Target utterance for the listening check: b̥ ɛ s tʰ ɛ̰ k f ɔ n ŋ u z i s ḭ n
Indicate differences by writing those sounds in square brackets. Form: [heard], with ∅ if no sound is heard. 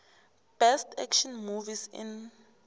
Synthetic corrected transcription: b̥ ɛ s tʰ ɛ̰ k [ʃ] ɔ n [m] u [v] i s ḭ n